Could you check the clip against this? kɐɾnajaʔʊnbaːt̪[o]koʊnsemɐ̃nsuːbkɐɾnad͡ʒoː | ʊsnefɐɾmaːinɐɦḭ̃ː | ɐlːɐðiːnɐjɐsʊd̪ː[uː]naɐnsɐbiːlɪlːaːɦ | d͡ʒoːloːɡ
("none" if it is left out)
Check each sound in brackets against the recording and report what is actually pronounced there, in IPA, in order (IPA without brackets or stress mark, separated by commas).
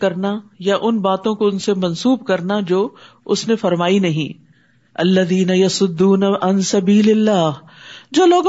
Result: õ, uː